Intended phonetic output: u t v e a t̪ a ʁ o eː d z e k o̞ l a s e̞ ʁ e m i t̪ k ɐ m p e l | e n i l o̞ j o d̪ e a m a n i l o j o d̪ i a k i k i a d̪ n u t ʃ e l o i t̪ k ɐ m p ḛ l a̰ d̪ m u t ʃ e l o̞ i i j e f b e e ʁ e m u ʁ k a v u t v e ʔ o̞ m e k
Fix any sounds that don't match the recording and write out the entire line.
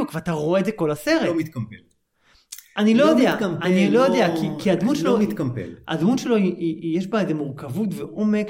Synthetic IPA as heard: u k v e a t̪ a ʁ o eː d z e k o̞ l a s e̞ ʁ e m i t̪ k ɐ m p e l | a n i l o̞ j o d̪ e a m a n i l o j o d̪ e a k i k i a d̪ m u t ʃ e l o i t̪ k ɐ m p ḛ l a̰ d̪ m u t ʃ e l o̞ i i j e ʃ b a e z e m u ʁ k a v u t v e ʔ o̞ m e k